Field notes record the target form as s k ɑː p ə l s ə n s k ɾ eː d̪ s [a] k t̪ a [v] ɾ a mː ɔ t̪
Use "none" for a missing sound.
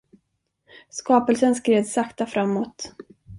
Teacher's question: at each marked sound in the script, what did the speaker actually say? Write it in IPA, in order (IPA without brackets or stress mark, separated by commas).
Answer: a, f